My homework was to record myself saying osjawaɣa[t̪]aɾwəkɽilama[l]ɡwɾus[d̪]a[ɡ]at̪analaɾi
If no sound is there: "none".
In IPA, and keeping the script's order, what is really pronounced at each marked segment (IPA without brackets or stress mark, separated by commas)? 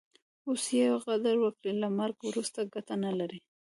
d̪, ɾ, t̪, ɡ